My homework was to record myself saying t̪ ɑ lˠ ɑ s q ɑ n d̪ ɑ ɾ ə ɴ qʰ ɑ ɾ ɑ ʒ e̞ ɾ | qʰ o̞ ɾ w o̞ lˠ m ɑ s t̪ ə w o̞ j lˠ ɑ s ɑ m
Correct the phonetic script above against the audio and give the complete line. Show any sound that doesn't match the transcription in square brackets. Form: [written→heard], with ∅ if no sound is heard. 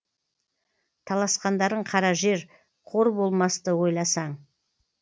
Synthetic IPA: [t̪→t̪ʰ] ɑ lˠ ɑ s q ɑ n d̪ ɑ ɾ ə ɴ qʰ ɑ ɾ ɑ ʒ e̞ ɾ | qʰ o̞ ɾ [w→b] o̞ lˠ m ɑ s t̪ ə w o̞ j lˠ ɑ s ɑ [m→ɴ]

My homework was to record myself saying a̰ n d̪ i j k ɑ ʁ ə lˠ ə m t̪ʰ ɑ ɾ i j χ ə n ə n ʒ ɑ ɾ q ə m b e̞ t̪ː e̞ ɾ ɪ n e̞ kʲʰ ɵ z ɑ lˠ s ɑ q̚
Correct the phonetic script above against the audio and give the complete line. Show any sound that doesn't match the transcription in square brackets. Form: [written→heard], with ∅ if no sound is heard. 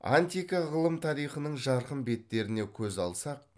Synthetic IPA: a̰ n [d̪→t̪] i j k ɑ ʁ ə lˠ ə m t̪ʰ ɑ ɾ i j χ ə n ə [n→ɴ] ʒ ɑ ɾ q ə m b e̞ t̪ː e̞ ɾ ɪ n e̞ kʲʰ ɵ z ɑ lˠ s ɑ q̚

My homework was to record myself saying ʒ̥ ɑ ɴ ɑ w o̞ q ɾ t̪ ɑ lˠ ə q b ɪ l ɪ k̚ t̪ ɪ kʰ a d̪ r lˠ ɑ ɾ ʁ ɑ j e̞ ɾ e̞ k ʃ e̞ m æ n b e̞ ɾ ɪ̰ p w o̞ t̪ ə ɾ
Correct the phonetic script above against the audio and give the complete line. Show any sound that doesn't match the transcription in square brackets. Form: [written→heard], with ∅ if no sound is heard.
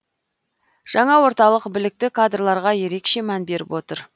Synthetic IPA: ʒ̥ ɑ ɴ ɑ w o̞ [q→∅] ɾ t̪ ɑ lˠ ə q b ɪ l ɪ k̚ t̪ ɪ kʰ a d̪ r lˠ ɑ ɾ ʁ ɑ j e̞ ɾ e̞ k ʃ e̞ m æ n b e̞ ɾ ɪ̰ p w o̞ t̪ ə ɾ

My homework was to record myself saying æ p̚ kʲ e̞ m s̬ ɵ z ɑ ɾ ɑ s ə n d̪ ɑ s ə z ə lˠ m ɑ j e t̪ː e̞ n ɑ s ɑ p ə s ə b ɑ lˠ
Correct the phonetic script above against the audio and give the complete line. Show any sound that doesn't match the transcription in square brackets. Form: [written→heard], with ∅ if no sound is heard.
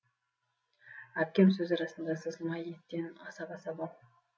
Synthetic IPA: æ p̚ kʲ e̞ m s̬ ɵ z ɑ ɾ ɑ s ə n d̪ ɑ s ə z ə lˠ m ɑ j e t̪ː e̞ n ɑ s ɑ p [ə→ɑ] s [ə→ɑ] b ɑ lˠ

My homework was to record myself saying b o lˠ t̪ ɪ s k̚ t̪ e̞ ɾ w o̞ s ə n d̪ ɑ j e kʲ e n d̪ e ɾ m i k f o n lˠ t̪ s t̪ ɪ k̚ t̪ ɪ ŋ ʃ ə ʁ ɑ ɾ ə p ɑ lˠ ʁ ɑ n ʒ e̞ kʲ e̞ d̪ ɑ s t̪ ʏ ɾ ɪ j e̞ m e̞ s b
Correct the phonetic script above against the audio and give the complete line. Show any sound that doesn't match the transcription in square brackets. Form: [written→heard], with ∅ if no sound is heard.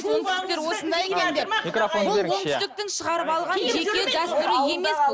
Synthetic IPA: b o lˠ t̪ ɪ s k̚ t̪ e̞ ɾ w o̞ s ə n d̪ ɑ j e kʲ e n d̪ e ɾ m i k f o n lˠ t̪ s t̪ ɪ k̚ t̪ ɪ ŋ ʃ ə ʁ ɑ ɾ ə p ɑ lˠ ʁ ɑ n ʒ e̞ kʲ e̞ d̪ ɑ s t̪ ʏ ɾ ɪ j e̞ m e̞ s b

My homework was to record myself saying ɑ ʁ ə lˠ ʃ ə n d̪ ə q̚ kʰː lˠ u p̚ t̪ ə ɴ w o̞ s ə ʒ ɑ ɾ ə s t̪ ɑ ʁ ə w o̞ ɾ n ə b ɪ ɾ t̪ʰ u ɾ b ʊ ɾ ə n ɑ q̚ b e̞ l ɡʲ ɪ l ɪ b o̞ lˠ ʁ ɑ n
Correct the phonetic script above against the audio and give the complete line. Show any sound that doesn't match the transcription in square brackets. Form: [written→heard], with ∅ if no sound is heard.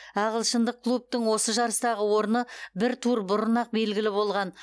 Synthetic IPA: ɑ ʁ ə lˠ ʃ ə n d̪ ə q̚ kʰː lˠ u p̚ t̪ ə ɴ w o̞ s ə ʒ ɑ ɾ ə s t̪ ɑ ʁ ə w o̞ ɾ n ə b ɪ ɾ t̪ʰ u ɾ b ʊ ɾ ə n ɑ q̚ b e̞ l ɡʲ ɪ l ɪ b o̞ lˠ ʁ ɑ n

